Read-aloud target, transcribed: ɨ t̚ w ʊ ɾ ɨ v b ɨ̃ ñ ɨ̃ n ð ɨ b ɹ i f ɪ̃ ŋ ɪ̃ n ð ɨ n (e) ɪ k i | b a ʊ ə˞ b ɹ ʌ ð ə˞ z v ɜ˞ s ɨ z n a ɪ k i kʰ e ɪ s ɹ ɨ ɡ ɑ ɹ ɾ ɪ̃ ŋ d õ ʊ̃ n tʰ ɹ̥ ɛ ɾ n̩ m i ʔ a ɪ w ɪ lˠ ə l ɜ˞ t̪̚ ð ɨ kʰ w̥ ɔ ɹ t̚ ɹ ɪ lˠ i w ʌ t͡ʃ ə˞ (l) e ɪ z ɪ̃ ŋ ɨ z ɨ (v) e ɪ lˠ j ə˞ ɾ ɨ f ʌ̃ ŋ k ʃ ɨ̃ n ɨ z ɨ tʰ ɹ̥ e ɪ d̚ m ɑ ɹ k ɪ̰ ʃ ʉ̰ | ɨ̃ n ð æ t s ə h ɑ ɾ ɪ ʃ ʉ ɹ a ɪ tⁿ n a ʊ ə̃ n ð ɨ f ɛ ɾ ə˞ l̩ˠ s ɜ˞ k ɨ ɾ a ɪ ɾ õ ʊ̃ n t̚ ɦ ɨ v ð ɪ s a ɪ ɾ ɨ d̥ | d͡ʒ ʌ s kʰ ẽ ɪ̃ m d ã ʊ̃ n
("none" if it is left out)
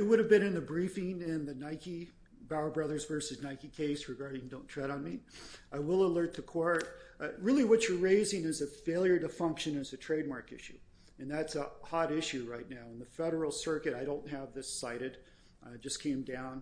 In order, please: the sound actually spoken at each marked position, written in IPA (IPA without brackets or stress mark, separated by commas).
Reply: a, ɹ, f